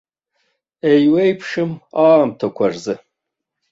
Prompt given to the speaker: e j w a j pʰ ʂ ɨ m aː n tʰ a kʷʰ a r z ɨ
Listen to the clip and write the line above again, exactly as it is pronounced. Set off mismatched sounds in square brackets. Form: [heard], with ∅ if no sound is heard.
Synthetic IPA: e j w [e] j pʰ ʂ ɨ m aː [m] tʰ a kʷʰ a r z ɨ